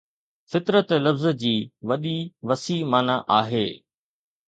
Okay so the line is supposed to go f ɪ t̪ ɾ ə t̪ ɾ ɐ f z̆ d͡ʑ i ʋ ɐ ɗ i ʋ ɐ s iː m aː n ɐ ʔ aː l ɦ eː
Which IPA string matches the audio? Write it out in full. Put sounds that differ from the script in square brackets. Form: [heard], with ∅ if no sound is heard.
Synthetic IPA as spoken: f ɪ t̪ ɾ ə t̪ [l] ɐ f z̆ d͡ʑ [iː] ʋ ɐ ɗ i ʋ ɐ s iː m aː n [a] ʔ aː [∅] ɦ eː